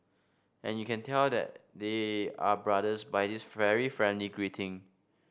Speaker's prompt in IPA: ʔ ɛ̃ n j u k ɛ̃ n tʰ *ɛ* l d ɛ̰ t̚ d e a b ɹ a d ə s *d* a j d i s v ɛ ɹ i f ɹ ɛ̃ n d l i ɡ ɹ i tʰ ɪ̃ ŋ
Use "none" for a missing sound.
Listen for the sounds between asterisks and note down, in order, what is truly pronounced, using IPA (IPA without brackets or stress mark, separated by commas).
ɛ, b